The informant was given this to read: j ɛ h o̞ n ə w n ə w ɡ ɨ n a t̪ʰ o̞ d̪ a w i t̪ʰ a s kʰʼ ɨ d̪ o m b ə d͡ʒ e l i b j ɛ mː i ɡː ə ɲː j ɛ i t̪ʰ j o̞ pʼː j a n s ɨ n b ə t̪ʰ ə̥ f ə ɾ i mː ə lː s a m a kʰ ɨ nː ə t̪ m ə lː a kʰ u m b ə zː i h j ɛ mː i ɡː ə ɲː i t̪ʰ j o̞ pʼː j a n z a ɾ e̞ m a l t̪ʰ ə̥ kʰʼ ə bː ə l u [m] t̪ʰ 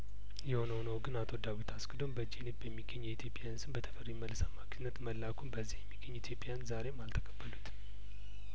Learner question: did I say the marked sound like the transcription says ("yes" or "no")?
no